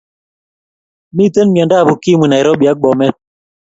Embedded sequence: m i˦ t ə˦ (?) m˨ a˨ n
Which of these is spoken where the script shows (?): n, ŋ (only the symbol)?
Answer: n